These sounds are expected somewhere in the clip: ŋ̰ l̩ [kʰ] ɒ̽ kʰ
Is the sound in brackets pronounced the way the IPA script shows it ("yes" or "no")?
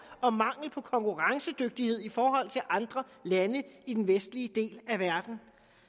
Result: no